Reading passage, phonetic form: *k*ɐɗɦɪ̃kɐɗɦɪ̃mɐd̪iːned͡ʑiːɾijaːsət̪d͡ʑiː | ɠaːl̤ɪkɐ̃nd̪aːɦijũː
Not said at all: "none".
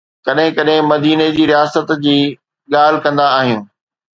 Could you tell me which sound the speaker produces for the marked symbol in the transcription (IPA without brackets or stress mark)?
k